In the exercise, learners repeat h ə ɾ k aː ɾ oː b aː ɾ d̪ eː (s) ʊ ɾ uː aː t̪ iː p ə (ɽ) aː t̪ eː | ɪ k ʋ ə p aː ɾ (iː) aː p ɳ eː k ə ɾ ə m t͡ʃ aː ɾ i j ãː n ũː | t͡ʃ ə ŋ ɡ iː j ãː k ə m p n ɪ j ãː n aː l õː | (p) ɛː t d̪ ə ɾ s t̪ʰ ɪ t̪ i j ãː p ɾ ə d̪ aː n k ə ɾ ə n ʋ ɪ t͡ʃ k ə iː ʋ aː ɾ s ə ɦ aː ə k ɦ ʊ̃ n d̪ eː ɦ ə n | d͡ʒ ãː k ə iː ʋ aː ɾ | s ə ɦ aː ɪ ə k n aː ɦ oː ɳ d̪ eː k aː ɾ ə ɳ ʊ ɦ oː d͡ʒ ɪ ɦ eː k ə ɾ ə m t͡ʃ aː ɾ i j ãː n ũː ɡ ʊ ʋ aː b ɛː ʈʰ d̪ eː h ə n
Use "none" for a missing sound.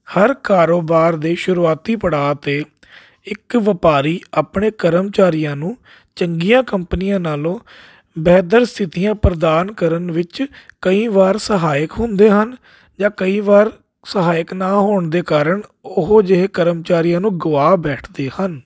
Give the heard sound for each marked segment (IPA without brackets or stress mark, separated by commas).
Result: ʃ, ɽ, iː, b